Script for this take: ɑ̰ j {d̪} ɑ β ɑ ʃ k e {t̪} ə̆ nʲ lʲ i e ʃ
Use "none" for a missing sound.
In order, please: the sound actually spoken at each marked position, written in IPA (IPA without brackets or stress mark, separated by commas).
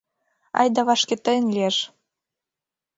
d̪, t̪